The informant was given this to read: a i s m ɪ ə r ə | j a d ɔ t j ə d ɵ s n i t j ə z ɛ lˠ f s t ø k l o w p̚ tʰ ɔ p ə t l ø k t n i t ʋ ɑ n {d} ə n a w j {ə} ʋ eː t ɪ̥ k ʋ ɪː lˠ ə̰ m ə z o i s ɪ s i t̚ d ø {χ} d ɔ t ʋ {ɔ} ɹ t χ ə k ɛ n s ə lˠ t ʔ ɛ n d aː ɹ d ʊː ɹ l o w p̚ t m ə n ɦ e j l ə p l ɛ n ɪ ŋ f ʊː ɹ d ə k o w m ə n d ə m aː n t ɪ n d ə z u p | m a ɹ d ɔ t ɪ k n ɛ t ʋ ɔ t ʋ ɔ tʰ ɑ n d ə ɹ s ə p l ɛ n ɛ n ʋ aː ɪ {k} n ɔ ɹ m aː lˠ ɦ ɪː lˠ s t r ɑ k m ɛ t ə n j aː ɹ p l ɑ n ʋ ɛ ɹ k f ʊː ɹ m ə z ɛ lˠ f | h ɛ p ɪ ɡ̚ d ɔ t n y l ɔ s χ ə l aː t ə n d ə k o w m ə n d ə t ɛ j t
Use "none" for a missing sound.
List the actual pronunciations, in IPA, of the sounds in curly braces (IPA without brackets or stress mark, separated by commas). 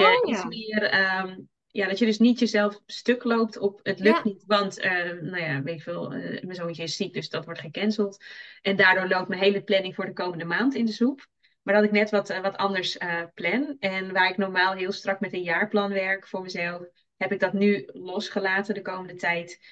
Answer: t, a, s, ɔ, k